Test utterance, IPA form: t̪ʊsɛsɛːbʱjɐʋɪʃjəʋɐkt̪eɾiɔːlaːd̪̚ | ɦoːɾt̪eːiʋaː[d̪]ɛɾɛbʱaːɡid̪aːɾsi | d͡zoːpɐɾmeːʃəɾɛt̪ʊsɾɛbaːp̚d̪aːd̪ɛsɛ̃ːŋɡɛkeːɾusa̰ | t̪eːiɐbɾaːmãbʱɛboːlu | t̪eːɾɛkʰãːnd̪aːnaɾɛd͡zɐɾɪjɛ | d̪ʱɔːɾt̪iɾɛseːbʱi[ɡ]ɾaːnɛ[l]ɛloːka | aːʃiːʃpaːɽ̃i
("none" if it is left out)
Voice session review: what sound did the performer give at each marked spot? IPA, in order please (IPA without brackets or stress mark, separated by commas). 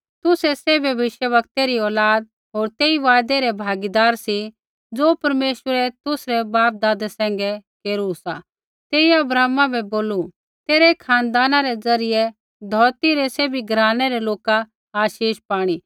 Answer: d̪, ɡ, ɾ